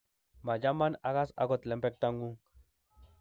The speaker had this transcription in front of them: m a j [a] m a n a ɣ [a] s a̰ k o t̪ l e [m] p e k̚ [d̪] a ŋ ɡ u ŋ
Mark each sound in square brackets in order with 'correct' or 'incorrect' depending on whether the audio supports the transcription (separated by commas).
correct, correct, correct, incorrect